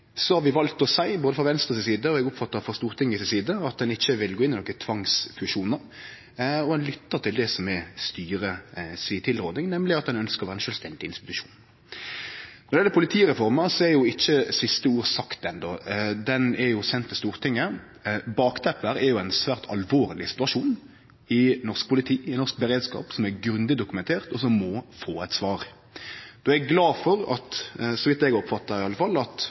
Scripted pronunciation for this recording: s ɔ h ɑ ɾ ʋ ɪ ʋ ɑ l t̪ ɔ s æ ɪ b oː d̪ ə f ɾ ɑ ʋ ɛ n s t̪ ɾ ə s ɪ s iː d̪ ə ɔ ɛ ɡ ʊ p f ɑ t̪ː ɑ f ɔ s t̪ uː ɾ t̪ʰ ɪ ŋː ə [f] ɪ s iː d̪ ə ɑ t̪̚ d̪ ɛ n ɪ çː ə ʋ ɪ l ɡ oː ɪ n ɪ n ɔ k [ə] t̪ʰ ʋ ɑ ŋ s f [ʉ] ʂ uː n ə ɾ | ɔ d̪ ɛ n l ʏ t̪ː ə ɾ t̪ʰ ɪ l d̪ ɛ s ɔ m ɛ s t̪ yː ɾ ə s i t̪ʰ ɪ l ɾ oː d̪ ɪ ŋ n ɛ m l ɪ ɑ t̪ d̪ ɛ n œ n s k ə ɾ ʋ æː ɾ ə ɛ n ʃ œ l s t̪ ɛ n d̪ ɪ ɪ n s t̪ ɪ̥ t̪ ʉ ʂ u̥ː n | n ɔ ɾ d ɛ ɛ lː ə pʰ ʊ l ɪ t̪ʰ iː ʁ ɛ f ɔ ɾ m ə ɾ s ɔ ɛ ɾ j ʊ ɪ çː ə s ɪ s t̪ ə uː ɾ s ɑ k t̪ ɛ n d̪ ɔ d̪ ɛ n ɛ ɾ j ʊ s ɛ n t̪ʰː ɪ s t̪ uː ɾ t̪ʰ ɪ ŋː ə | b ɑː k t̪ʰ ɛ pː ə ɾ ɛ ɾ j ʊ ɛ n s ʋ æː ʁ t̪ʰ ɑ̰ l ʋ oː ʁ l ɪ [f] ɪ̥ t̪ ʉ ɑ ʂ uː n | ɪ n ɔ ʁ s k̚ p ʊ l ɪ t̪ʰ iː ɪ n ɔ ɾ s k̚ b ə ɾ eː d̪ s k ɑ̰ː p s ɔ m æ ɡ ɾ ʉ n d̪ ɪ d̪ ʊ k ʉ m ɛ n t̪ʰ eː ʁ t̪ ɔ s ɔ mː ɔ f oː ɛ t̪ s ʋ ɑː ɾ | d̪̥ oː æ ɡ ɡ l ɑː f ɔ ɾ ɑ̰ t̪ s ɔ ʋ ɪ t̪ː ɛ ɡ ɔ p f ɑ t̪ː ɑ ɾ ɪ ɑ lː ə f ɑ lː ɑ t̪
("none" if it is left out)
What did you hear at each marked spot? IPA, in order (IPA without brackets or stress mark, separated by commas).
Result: s, ə, ʉ, s